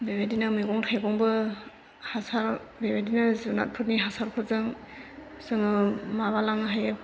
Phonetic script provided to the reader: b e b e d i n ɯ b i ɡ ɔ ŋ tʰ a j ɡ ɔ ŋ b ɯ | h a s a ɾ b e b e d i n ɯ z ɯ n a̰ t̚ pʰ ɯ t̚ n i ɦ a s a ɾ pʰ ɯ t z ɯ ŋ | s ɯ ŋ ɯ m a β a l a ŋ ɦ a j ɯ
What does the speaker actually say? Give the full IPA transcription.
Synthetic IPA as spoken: b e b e d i n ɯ m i ɡ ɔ ŋ tʰ a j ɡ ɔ ŋ b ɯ | h a s a ɾ b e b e d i n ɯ z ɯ n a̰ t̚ pʰ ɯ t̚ n i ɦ a s a ɾ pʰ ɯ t z ɯ ŋ | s ɯ ŋ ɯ m a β a l a ŋ ɦ a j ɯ